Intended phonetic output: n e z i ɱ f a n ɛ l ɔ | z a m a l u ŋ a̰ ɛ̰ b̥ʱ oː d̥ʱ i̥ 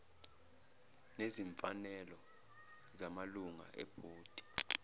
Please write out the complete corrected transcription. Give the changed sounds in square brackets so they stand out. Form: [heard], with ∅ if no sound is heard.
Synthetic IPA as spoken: n e z i ɱ f a n ɛ l ɔ | z a m a l u ŋ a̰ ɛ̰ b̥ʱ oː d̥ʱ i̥